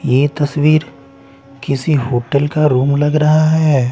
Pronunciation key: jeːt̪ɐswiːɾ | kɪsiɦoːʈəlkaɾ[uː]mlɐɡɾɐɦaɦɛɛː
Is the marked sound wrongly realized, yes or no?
no